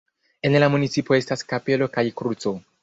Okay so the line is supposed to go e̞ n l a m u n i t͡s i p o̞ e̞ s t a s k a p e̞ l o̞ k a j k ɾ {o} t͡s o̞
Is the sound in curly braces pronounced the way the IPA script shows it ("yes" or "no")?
no